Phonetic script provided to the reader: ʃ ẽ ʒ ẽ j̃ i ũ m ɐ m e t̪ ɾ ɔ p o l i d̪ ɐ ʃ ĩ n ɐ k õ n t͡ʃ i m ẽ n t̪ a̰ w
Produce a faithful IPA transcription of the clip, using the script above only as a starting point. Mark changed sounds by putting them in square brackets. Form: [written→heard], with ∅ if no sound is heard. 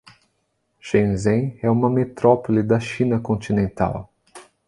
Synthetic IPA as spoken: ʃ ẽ [ʒ→z] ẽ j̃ [i→ɛ] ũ m ɐ m e t̪ ɾ ɔ p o l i d̪ ɐ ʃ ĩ n ɐ k õ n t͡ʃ i [m→n] ẽ n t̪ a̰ w